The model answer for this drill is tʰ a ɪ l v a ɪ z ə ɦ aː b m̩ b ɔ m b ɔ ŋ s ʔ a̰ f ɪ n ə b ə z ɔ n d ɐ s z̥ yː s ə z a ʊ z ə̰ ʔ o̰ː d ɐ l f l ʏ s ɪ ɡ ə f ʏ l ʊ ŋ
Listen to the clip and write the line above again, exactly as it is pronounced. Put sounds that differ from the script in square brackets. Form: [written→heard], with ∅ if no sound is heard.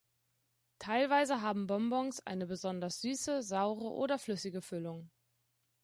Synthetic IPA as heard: tʰ a ɪ l v a ɪ z ə ɦ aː b m̩ b ɔ m b ɔ ŋ s ʔ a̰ [f→∅] ɪ n ə b ə z ɔ n d ɐ s z̥ yː s ə z a ʊ [z→ʁ] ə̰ ʔ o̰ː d ɐ [l→∅] f l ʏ s ɪ ɡ ə f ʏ l ʊ ŋ